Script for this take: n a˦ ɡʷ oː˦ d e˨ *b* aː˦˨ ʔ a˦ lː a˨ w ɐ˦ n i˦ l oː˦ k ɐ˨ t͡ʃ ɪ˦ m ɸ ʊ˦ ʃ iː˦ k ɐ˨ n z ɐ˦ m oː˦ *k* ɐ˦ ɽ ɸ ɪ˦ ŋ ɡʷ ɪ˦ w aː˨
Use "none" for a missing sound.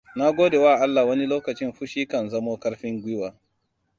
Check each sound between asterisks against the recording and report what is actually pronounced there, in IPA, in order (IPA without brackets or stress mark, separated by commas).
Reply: w, k